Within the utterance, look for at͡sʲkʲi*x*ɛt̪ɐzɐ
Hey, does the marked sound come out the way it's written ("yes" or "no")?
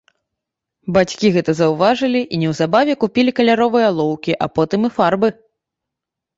no